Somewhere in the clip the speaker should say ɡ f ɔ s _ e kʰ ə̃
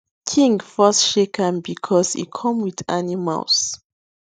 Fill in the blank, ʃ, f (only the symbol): ʃ